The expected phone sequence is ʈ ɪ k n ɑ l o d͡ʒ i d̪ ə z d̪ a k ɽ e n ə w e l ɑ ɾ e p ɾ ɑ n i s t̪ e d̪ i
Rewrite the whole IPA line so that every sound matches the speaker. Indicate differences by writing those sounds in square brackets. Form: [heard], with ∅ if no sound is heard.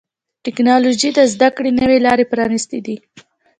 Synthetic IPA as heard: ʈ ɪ k n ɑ l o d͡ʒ i d̪ ə z d̪ a k ɽ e n ə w e l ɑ ɾ e p ɾ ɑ n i s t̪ e d̪ i